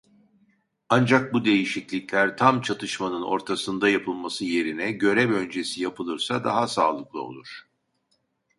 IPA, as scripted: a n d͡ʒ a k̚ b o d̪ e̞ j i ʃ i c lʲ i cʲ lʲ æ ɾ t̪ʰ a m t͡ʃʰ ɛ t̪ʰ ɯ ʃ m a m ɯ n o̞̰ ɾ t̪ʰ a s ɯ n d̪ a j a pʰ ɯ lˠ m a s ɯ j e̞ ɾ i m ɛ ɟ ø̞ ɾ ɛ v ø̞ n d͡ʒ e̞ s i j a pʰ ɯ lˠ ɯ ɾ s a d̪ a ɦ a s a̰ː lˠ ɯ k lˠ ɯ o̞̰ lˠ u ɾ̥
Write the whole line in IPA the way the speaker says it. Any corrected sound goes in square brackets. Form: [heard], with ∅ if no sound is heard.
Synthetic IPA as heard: a n d͡ʒ a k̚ b [u] d̪ e̞ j i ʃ i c lʲ i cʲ lʲ æ ɾ t̪ʰ a m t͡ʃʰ [a] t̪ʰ ɯ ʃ m a [n] ɯ n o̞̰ ɾ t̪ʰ a s ɯ n d̪ a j a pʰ ɯ lˠ m a s ɯ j e̞ ɾ i [n] ɛ ɟ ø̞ ɾ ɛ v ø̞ n d͡ʒ e̞ s i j a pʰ ɯ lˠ ɯ ɾ s a d̪ a ɦ a s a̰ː lˠ ɯ k lˠ ɯ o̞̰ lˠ u ɾ̥